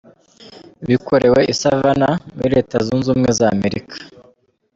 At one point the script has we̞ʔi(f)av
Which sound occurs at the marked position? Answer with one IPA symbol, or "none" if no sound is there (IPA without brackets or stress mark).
s